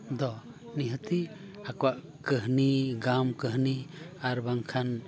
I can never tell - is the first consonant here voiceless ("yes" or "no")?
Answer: no